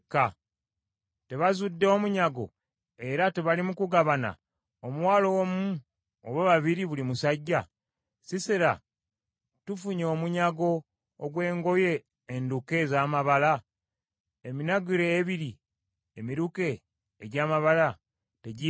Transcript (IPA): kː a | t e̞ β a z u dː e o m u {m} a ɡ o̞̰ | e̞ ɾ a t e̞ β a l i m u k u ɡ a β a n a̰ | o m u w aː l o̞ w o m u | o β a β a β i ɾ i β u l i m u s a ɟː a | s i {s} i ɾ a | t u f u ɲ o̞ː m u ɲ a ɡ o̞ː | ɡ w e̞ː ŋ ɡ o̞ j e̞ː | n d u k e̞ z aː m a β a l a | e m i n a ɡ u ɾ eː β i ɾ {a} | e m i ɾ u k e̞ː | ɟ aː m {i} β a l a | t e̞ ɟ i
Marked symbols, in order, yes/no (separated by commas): no, yes, no, no